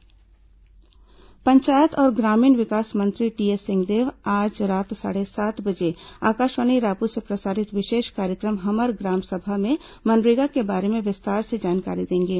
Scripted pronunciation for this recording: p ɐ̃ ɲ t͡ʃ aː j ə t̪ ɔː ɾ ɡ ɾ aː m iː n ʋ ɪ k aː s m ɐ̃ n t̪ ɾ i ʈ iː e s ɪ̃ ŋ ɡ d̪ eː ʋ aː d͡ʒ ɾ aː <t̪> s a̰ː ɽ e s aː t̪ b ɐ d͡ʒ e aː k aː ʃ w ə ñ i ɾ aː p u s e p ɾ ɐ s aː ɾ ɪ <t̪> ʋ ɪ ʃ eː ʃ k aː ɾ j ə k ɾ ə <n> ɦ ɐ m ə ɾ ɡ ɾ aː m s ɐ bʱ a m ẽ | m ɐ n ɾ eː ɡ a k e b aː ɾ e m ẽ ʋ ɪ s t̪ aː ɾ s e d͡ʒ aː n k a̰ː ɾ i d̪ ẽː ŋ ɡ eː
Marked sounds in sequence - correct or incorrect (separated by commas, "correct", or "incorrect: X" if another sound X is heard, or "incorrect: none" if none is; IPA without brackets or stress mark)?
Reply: correct, correct, incorrect: m